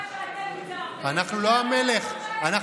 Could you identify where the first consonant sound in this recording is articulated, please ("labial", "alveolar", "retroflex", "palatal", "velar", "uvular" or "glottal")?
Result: alveolar